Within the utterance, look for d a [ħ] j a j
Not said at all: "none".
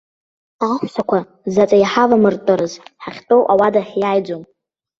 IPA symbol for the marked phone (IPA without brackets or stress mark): ħ